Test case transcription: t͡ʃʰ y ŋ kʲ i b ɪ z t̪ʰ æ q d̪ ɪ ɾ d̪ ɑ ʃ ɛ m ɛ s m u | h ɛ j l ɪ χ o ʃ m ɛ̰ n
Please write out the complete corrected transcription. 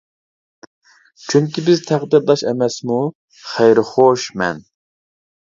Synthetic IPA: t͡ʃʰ y ŋ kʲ i b ɪ z t̪ʰ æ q d̪ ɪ ɾ d̪ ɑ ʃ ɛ m ɛ s m u | χ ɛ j ɾ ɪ χ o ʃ m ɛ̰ n